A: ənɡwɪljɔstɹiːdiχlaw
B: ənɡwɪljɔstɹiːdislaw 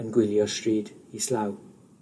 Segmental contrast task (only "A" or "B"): B